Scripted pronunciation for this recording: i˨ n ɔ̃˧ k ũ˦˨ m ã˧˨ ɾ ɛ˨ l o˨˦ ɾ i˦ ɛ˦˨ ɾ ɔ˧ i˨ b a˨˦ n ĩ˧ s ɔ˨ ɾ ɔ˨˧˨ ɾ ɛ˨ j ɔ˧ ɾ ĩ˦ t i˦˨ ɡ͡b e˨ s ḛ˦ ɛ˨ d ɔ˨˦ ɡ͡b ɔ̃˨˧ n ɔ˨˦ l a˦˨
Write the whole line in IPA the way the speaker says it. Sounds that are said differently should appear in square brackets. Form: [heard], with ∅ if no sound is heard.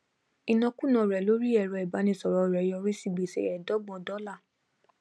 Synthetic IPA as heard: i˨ n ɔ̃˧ k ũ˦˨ [n] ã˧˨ ɾ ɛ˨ l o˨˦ ɾ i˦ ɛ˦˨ ɾ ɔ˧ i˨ b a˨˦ n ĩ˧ s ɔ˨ ɾ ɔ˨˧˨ ɾ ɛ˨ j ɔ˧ ɾ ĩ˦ [s] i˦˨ ɡ͡b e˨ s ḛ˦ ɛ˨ d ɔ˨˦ ɡ͡b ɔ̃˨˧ [d] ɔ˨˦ l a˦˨